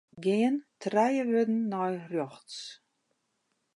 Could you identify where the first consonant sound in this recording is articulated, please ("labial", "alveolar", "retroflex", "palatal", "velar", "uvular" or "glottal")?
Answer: velar